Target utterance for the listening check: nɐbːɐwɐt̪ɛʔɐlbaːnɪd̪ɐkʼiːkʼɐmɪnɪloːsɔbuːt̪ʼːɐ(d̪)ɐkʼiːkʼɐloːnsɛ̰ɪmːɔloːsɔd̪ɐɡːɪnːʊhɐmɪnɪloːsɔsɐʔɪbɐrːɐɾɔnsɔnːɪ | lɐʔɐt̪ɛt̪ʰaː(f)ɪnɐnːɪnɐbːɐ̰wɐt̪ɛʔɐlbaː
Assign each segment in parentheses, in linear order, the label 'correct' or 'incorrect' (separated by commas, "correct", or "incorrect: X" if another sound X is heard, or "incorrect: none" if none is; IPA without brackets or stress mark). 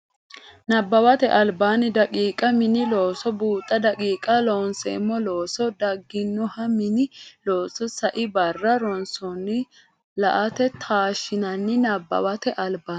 correct, incorrect: ʃ